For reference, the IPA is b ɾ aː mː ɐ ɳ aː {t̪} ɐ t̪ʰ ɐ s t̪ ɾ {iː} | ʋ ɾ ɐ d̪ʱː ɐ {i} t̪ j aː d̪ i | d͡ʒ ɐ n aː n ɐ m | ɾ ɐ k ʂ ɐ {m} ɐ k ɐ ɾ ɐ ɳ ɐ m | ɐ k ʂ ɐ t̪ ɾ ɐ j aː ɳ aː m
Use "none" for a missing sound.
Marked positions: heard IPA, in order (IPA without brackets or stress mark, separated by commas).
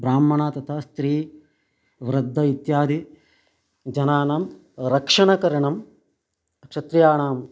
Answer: t̪, iː, i, ɳ